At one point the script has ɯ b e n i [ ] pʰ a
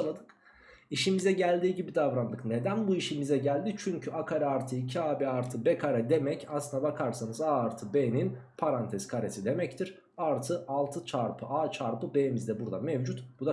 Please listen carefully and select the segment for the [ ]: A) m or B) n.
B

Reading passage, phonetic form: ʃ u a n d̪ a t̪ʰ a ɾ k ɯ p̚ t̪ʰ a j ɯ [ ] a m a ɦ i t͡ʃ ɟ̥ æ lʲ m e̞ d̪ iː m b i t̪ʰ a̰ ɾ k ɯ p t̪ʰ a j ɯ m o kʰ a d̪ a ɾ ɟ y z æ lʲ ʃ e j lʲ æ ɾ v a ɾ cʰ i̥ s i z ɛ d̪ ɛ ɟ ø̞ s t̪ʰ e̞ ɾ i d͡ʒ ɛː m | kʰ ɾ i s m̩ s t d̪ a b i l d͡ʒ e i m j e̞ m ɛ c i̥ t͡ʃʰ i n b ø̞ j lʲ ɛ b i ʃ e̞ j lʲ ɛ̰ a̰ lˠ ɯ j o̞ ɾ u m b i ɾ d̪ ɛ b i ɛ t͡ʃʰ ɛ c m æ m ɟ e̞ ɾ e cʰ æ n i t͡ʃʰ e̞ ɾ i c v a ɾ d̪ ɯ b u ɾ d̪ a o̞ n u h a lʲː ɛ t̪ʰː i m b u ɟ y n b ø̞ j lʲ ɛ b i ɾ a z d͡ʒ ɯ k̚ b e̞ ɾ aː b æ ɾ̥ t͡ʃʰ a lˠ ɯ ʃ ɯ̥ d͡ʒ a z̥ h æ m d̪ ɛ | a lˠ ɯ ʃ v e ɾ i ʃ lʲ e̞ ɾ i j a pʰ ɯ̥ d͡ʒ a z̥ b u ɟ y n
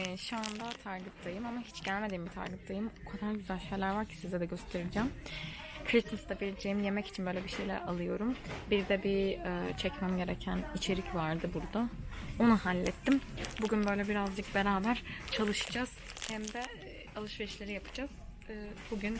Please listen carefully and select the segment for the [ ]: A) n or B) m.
B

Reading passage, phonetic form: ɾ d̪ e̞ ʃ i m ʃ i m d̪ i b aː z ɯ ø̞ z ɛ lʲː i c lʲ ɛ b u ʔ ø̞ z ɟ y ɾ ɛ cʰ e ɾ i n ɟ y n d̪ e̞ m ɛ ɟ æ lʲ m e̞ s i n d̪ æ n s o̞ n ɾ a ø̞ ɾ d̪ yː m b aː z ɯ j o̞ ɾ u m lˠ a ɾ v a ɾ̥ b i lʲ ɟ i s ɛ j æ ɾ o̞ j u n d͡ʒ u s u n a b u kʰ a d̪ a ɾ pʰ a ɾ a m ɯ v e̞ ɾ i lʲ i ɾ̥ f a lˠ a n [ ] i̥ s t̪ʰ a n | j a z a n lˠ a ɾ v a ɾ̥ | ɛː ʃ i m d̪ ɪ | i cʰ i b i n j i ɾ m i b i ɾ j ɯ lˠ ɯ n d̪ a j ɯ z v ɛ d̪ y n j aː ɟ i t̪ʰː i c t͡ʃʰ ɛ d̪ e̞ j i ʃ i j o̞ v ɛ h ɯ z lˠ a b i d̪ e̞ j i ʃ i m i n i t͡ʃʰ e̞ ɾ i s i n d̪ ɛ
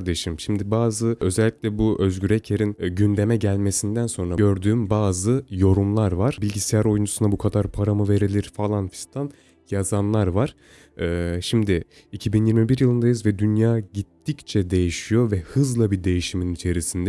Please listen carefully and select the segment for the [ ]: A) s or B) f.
B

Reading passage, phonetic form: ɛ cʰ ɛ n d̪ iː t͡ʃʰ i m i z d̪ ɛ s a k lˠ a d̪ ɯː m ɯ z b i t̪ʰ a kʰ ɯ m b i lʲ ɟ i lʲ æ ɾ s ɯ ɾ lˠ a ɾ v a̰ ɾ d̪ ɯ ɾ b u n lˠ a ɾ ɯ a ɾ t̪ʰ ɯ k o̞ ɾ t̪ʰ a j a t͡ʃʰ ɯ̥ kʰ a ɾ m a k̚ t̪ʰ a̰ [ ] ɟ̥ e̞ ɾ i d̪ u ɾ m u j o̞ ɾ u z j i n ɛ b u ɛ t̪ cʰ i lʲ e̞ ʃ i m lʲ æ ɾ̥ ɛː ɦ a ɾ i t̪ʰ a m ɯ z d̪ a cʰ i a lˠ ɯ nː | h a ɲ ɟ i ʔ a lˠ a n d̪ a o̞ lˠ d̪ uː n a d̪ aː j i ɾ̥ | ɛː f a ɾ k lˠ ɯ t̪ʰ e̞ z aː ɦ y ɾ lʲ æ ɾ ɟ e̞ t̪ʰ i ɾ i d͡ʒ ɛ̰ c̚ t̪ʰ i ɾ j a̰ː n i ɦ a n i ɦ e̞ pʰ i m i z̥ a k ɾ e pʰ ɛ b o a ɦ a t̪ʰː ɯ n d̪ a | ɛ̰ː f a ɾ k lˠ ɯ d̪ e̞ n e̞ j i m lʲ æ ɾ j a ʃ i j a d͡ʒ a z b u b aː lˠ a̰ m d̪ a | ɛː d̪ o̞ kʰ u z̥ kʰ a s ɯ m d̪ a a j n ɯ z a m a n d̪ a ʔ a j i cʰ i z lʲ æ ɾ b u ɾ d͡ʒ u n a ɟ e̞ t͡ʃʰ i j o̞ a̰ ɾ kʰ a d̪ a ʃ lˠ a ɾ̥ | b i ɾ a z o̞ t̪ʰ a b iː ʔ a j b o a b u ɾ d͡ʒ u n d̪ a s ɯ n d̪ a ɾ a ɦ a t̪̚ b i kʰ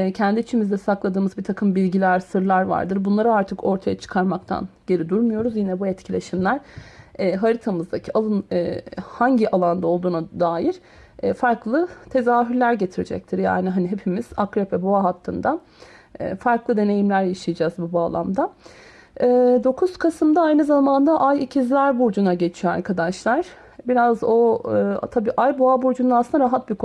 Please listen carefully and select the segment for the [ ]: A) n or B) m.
A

